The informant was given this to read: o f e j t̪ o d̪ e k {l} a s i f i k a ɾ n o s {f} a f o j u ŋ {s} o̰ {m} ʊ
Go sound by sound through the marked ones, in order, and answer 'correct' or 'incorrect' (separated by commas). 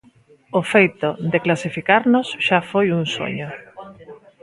correct, incorrect, correct, incorrect